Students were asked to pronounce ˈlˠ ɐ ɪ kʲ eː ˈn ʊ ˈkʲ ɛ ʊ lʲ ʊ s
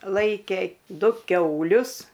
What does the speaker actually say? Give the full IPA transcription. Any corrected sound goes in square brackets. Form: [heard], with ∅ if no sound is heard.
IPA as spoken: ˈlˠ ɐ ɪ kʲ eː [ˈd] ʊ ˈkʲ ɛ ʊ lʲ ʊ s